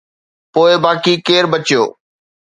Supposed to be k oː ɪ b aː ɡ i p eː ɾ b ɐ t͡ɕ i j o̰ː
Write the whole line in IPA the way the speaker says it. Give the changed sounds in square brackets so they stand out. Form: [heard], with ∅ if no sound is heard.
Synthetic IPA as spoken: [p] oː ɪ b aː [k] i [k] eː ɾ b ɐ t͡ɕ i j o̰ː